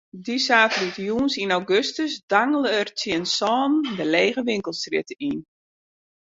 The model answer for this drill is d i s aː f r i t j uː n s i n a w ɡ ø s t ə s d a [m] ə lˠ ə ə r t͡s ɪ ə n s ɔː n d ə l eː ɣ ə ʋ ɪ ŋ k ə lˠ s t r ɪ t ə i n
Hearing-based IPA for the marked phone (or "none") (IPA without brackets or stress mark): ŋ